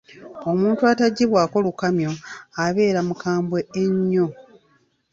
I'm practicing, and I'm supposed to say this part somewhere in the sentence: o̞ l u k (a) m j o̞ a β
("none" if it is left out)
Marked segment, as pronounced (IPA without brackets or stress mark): a